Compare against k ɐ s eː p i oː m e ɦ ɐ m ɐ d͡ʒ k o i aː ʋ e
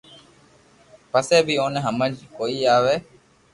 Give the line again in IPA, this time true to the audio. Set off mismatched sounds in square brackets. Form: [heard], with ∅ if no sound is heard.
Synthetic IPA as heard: [p] ɐ s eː [b] i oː [n] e ɦ ɐ m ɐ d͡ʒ k o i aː ʋ e

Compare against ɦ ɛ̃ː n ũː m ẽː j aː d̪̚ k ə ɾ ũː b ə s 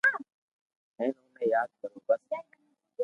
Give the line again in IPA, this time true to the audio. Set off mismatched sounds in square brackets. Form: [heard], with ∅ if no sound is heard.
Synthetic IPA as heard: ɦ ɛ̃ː n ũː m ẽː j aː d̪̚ k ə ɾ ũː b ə s

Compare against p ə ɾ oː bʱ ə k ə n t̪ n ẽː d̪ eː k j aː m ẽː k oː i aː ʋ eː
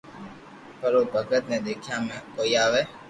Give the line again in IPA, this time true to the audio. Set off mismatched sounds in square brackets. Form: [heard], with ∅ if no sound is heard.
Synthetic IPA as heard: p ə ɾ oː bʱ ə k ə [∅] t̪ n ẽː d̪ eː [kʰ] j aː m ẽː k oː i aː ʋ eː

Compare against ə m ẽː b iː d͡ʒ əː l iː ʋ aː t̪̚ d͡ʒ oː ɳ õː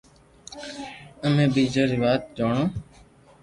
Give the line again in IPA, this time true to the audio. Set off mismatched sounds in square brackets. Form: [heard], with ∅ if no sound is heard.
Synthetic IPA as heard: ə m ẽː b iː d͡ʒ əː [ɾ] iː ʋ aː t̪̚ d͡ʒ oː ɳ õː

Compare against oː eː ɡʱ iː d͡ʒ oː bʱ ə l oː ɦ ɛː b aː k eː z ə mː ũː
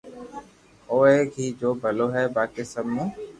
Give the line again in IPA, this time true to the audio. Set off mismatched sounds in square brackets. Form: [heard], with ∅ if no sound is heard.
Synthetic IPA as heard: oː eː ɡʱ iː d͡ʒ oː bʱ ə l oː ɦ ɛː b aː k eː [s] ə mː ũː

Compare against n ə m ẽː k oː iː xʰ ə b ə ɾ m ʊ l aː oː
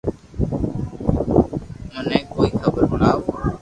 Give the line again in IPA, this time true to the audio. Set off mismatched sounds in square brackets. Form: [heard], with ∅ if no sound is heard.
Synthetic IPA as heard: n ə [n] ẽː k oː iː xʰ ə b ə ɾ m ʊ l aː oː

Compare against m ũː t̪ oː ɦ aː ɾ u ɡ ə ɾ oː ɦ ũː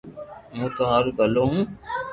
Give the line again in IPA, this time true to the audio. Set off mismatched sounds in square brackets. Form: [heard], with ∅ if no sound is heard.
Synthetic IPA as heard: m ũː t̪ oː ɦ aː ɾ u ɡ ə [l] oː ɦ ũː

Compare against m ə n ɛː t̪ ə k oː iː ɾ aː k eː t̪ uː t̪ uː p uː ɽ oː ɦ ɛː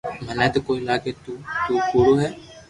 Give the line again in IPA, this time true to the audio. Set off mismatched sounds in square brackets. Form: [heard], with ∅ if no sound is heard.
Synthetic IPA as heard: m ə n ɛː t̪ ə k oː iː [l] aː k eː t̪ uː t̪ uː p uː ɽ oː ɦ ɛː

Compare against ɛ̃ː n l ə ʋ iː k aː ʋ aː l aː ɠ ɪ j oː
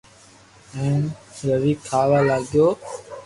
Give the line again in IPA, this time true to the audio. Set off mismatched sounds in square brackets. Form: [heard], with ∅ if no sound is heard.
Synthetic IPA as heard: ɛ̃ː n [ɾ] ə ʋ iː [kʰ] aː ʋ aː l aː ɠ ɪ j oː

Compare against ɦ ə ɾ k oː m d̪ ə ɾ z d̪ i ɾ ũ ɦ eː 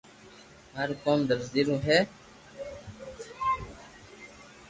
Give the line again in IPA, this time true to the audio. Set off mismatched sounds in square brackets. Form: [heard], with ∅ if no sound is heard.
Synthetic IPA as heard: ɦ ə ɾ k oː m d̪ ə ɾ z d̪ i ɾ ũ ɦ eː

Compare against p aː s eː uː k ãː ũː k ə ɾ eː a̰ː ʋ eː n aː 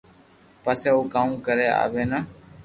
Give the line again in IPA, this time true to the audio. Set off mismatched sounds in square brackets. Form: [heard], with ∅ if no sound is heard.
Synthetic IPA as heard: p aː s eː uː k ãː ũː k ə ɾ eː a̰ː ʋ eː n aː

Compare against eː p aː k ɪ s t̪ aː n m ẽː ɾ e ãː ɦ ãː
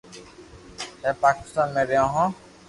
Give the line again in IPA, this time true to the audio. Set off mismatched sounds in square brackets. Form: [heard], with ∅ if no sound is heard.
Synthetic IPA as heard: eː p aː k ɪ s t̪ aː n m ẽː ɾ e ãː ɦ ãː

